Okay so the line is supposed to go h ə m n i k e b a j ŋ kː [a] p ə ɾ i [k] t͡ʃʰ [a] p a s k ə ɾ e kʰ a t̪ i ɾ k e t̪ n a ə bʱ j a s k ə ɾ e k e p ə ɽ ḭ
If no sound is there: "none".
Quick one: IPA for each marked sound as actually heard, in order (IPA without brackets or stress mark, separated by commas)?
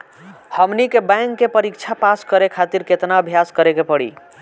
e, k, a